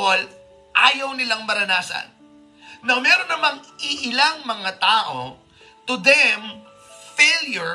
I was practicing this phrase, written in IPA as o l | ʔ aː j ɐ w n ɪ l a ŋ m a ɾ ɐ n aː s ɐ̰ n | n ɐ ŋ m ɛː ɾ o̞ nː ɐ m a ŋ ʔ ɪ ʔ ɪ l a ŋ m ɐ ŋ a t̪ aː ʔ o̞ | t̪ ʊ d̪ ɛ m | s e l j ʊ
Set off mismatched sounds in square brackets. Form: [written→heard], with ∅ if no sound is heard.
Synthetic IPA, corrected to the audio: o l | ʔ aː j ɐ w n ɪ l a ŋ m [a→ɐ] ɾ ɐ n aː s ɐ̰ n | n ɐ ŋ m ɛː ɾ o̞ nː ɐ m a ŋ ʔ ɪ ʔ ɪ l a ŋ m ɐ ŋ a t̪ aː ʔ o̞ | t̪ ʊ d̪ ɛ m | [s→f] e l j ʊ